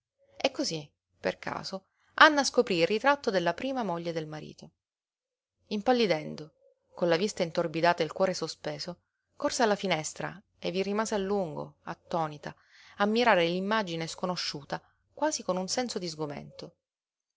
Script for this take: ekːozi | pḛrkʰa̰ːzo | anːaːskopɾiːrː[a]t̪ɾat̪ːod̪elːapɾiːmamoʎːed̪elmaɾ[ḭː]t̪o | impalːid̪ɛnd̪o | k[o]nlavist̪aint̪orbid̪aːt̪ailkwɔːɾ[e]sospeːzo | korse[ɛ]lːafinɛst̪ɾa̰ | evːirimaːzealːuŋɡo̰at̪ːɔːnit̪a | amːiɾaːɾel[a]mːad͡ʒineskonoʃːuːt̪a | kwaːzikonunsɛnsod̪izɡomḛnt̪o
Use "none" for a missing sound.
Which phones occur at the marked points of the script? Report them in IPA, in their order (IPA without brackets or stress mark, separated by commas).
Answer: i, ḭː, o, e, a, i